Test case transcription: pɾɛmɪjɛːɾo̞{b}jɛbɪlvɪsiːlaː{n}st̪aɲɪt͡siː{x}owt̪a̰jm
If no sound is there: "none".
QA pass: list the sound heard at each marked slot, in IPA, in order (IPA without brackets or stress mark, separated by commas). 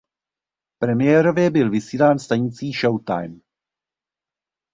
v, n, ʃ